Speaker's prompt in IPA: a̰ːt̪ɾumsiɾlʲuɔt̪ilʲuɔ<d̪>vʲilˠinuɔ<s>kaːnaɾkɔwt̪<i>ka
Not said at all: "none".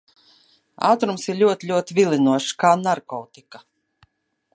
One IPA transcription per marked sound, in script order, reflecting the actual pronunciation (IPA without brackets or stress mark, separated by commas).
t̪, ʃ, i